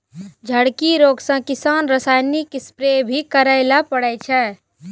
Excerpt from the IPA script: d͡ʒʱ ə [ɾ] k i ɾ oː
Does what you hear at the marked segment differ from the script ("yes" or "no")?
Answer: yes